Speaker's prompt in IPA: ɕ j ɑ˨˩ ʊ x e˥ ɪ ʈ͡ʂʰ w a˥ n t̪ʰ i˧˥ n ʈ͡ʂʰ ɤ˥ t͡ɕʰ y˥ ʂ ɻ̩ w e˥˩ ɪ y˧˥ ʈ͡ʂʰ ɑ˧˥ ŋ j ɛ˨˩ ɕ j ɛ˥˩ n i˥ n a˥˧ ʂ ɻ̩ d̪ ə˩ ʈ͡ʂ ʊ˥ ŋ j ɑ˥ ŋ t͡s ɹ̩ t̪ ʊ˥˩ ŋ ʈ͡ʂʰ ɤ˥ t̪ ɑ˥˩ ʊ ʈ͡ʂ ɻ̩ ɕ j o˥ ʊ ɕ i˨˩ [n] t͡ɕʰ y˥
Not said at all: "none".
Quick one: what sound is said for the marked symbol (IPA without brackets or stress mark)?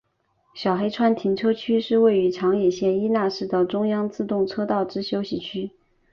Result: none